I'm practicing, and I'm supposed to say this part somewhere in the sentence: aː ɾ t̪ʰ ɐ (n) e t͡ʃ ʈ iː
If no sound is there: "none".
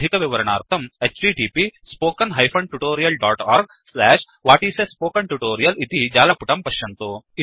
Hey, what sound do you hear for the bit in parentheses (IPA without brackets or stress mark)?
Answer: m